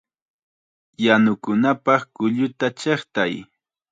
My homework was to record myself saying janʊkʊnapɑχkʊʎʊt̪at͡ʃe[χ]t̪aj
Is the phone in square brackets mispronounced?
no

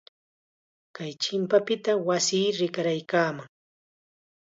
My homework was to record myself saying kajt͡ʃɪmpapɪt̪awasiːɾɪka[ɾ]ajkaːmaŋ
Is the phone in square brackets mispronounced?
no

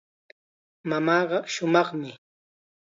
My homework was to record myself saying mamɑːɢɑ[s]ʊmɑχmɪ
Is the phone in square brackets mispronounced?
yes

